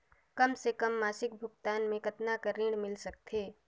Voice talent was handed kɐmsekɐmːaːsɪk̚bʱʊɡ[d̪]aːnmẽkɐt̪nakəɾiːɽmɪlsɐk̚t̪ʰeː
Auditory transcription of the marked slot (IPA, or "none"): t̪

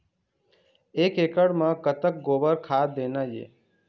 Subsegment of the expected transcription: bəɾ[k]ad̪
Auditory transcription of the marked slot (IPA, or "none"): kʰ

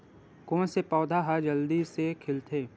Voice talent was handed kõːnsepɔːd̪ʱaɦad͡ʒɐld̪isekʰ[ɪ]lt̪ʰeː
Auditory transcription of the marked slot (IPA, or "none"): ɪ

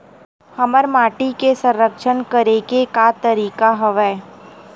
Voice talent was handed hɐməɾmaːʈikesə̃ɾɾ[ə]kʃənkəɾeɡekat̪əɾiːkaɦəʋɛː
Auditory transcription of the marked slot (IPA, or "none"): ə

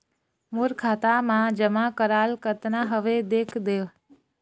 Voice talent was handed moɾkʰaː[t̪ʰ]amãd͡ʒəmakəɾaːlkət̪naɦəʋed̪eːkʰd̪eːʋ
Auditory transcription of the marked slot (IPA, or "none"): t̪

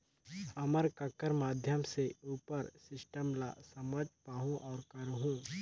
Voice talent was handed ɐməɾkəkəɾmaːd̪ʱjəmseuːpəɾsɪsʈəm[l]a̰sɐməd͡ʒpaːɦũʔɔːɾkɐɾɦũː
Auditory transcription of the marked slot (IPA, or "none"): l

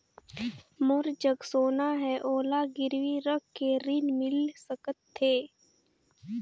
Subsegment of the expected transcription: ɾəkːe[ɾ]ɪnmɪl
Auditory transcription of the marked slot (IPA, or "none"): ɾ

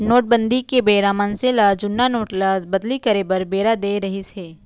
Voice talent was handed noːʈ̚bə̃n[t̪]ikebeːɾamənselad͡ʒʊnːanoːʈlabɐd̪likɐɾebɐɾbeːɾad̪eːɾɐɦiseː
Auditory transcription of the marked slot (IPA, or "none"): d̪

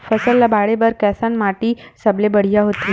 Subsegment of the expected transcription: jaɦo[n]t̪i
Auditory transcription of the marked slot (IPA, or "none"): none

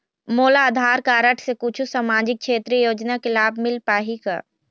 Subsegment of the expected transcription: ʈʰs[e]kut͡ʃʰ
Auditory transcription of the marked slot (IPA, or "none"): e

